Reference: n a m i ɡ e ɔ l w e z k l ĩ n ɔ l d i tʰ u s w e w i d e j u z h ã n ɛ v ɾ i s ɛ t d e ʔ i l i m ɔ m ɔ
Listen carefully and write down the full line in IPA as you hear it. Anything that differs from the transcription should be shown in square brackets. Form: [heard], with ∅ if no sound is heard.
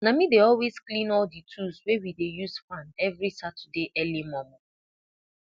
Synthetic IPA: n a m i [d] e ɔ l w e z k l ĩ n ɔ l d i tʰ u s w e w i d e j u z [f] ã n ɛ v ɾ i s [a] t d e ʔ [ɛ] l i m ɔ m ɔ